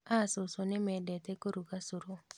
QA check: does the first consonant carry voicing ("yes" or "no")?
no